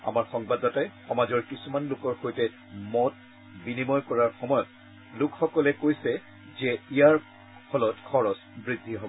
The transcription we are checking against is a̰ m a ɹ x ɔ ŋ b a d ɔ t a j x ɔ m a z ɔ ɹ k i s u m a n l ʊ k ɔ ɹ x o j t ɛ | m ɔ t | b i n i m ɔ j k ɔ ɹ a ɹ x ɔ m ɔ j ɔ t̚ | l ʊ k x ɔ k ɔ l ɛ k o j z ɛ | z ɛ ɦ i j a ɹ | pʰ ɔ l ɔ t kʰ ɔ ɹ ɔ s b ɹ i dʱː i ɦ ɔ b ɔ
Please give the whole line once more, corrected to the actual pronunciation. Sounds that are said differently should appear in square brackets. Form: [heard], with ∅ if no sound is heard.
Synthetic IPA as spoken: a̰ m a ɹ x ɔ ŋ b a d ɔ t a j x ɔ m a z ɔ ɹ k i s u m a n l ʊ k ɔ ɹ x o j t ɛ | m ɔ t | b i n i m ɔ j k ɔ ɹ a ɹ x ɔ m ɔ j ɔ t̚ | l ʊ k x ɔ k ɔ l ɛ k o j [s] ɛ | z ɛ [∅] i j a ɹ | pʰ ɔ l ɔ t kʰ ɔ ɹ ɔ s b ɹ i dʱː i ɦ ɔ b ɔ